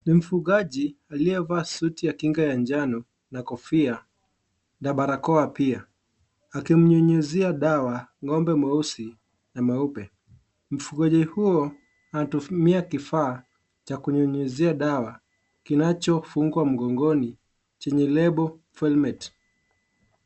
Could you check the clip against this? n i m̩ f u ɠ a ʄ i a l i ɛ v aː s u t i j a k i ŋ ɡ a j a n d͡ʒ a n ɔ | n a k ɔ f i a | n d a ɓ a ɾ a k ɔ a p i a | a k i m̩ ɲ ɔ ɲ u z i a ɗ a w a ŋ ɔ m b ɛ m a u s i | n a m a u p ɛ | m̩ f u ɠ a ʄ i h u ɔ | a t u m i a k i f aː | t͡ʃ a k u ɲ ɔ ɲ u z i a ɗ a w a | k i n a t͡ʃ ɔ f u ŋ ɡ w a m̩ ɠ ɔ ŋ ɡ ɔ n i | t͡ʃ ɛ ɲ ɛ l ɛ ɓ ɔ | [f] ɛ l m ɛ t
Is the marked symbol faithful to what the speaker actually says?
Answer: yes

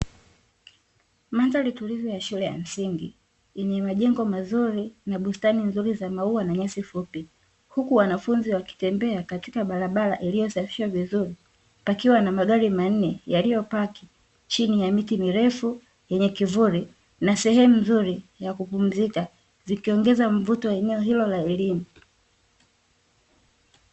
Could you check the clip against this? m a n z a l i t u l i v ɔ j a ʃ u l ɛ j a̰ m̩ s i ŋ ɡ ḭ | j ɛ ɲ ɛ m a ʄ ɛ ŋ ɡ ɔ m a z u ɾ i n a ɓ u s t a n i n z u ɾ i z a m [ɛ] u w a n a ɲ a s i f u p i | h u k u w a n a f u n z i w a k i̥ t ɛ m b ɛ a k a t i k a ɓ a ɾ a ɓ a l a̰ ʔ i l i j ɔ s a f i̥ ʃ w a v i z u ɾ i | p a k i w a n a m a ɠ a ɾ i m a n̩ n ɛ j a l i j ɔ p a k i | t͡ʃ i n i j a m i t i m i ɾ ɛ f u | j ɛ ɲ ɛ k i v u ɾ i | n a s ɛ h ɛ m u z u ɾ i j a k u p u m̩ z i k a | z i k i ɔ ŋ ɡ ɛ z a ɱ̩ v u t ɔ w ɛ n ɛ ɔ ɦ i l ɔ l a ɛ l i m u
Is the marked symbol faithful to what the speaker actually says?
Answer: no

